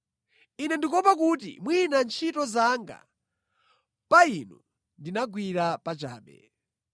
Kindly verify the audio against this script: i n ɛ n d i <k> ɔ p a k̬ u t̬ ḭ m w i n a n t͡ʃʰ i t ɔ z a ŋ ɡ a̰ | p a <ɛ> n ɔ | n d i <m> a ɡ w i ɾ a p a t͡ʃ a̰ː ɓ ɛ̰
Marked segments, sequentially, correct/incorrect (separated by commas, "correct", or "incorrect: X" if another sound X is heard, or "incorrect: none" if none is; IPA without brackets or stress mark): correct, incorrect: i, incorrect: n